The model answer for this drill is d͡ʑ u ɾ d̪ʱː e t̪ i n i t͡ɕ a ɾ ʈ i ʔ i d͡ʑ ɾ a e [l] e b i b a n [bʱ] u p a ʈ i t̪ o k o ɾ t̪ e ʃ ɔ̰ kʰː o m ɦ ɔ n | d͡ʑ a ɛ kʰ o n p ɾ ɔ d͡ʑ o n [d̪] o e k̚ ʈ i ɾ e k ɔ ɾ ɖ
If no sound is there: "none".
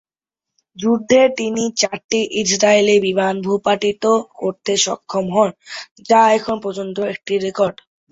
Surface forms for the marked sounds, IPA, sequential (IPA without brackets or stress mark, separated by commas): l, bʱ, t̪